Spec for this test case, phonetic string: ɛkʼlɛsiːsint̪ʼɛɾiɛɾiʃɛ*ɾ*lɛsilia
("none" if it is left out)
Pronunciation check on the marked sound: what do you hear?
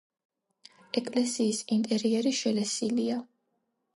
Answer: none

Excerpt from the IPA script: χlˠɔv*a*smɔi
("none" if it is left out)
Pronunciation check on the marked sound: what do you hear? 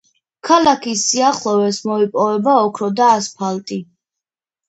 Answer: ɛ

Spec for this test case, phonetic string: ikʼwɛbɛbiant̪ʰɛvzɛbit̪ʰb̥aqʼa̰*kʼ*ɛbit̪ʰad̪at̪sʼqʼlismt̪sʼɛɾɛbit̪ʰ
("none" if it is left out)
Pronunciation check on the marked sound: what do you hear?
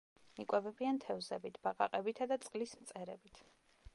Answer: qʼ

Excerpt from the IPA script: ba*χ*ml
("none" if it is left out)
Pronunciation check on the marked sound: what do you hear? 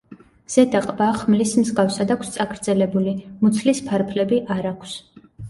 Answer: χ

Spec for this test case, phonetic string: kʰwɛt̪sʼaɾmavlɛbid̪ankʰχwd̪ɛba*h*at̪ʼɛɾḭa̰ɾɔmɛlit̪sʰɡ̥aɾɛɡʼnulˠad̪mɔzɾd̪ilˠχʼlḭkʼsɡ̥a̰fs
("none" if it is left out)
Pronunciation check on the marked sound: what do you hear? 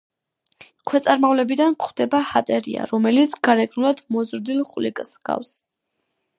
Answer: h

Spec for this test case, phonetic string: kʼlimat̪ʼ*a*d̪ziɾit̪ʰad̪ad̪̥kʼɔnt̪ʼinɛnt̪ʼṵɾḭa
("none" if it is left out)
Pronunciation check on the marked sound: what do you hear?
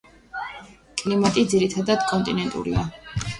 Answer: i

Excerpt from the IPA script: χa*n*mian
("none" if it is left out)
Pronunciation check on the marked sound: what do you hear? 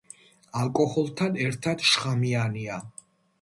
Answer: none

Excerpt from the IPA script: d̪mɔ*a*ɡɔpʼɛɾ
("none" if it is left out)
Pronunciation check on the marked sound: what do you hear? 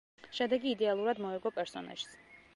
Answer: ɛ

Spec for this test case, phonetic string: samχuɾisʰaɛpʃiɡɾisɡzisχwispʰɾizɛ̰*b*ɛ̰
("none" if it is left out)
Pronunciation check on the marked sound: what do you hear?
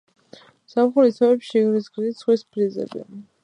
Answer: b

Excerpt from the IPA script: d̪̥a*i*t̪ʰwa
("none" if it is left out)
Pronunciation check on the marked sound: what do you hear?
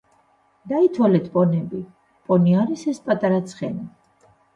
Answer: i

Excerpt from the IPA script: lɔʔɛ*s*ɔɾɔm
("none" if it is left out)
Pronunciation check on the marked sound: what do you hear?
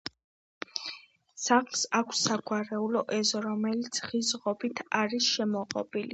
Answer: z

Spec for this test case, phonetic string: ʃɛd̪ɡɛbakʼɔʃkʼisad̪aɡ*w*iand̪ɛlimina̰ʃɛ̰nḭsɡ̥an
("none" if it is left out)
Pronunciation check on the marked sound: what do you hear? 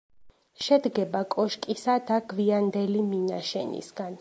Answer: v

